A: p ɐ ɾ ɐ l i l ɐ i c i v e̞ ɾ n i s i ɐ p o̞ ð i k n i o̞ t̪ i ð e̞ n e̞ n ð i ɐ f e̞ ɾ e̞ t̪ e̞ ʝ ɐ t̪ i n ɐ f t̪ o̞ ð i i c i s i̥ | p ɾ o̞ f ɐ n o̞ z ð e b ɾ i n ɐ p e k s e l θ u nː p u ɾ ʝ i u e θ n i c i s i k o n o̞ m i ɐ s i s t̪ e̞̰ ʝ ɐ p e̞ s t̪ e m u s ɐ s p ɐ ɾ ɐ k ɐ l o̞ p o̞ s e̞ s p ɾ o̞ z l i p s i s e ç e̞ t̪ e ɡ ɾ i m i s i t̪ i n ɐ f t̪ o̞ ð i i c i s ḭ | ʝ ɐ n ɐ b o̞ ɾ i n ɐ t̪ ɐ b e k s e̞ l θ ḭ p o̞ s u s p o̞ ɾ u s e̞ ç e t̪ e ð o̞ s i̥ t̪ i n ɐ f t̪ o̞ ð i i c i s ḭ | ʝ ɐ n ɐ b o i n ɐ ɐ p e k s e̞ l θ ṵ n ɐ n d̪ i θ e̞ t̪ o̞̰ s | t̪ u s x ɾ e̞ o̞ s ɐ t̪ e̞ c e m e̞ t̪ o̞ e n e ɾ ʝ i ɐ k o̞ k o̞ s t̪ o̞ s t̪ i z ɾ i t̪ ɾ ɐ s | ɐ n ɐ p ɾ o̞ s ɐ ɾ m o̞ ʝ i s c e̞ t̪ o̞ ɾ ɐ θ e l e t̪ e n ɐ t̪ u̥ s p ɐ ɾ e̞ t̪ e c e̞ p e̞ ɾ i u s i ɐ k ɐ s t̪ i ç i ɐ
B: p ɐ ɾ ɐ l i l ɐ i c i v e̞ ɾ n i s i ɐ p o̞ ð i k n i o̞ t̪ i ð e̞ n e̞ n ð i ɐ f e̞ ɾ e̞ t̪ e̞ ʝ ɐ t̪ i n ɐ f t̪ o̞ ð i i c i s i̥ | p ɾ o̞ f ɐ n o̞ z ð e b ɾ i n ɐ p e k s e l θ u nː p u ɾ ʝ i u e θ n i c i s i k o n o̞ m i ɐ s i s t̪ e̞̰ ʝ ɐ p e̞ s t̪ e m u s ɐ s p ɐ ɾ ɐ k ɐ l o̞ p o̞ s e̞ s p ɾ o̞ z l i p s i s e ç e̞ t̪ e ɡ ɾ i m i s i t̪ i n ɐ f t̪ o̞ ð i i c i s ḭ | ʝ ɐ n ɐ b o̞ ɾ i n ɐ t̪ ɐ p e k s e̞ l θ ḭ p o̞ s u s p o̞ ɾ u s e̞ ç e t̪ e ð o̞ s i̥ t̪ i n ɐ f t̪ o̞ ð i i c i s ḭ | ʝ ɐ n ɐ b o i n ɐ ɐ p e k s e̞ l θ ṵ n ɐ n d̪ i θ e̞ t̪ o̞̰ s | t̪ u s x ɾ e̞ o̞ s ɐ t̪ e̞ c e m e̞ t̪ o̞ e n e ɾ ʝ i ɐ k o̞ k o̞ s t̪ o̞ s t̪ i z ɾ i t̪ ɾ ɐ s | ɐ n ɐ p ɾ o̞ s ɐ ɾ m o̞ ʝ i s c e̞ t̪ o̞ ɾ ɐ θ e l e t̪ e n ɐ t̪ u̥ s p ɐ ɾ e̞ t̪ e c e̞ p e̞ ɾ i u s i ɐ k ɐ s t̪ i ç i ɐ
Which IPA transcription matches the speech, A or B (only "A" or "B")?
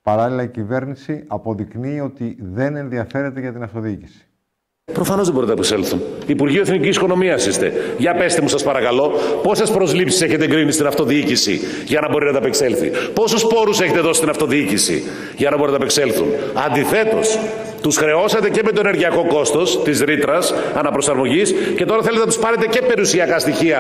B